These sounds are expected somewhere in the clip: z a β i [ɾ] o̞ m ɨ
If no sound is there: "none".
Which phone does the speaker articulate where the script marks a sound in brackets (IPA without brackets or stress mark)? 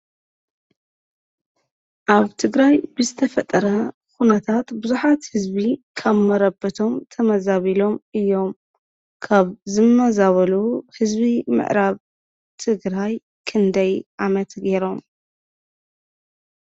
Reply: l